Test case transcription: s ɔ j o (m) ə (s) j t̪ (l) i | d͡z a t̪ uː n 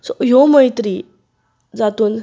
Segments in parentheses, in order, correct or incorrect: correct, incorrect: none, incorrect: ɾ

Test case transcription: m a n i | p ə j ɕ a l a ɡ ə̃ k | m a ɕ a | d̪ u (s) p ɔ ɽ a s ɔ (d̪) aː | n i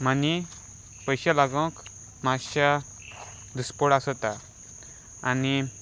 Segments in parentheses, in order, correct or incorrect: correct, incorrect: t̪

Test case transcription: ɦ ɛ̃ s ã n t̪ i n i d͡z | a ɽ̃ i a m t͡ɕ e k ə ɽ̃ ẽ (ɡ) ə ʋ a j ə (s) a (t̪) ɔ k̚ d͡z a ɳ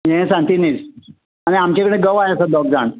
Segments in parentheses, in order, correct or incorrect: correct, correct, incorrect: d̪

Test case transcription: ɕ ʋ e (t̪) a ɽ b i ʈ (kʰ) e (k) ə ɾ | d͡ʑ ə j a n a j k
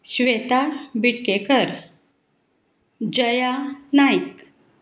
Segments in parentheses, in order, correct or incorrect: correct, incorrect: k, correct

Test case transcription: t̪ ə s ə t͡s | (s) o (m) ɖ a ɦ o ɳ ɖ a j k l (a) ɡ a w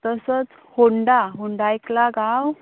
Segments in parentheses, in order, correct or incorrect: incorrect: h, incorrect: ɳ, correct

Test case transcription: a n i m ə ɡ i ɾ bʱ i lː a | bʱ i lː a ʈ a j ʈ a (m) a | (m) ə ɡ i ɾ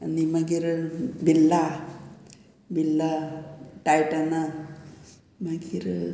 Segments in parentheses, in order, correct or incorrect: incorrect: n, correct

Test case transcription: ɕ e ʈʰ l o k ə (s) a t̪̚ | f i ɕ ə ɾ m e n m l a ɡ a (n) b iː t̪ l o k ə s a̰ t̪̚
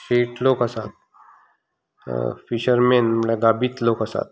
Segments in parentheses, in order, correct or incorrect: correct, incorrect: none

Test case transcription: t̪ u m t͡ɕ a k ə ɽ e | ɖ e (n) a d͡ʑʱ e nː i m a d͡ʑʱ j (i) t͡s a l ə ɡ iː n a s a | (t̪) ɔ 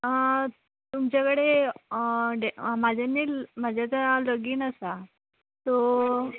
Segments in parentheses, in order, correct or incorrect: incorrect: m, incorrect: a, correct

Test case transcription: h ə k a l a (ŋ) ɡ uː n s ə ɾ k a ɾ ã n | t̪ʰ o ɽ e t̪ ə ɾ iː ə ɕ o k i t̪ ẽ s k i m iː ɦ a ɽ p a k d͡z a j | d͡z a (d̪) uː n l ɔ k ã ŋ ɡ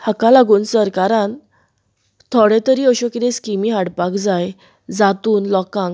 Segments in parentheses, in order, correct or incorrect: incorrect: none, incorrect: t̪

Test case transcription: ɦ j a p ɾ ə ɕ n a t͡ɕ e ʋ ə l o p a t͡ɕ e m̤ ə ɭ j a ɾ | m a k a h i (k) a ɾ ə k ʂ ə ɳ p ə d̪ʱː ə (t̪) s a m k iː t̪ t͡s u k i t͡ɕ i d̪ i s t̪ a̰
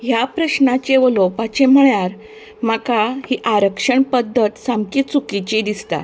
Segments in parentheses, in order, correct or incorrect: incorrect: ʔ, correct

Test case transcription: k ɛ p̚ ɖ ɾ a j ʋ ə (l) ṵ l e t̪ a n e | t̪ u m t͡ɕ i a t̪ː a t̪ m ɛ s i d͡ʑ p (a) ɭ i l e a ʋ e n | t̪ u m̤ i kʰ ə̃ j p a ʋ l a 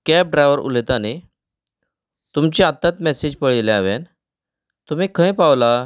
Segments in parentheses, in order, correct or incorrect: incorrect: ɾ, incorrect: ə

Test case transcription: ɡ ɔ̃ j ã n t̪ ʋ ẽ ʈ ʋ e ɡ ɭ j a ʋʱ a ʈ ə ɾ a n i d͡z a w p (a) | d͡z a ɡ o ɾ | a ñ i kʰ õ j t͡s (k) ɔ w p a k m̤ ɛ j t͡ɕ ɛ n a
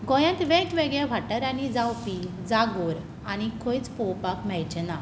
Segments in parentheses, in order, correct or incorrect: incorrect: i, incorrect: p

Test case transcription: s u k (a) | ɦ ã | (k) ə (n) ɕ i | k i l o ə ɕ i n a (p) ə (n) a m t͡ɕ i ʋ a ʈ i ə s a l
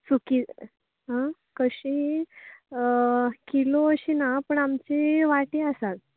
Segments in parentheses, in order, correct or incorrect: incorrect: i, correct, incorrect: none, correct, incorrect: ɳ

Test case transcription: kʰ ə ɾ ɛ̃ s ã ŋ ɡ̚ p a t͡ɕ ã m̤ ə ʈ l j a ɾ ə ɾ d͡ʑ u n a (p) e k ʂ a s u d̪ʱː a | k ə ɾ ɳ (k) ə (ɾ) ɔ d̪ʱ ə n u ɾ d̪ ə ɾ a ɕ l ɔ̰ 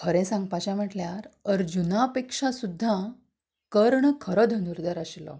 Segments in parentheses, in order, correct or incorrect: correct, incorrect: kʰ, correct

